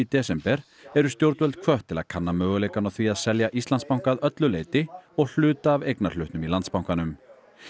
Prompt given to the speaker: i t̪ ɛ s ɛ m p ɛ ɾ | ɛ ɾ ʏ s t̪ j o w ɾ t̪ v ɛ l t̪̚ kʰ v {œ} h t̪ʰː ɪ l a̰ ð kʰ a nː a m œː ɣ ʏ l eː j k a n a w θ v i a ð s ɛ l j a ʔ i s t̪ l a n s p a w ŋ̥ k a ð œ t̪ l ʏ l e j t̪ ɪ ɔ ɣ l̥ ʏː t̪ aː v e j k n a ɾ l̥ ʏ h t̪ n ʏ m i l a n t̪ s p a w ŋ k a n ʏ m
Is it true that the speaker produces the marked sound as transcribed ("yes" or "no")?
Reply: yes